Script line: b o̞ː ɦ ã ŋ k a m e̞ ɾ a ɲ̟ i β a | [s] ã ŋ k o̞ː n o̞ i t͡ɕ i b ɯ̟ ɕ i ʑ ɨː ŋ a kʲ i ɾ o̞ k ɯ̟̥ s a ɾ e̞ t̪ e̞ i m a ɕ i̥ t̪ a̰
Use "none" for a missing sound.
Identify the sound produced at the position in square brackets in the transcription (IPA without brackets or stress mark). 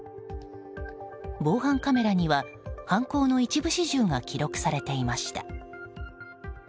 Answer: h